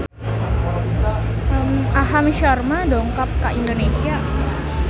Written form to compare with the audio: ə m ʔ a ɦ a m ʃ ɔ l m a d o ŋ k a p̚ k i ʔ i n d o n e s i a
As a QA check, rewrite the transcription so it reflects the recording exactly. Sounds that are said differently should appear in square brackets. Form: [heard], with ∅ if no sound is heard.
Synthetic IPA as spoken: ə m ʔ a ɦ a m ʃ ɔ [r] m a d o ŋ k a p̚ k [a] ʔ i n d o n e s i a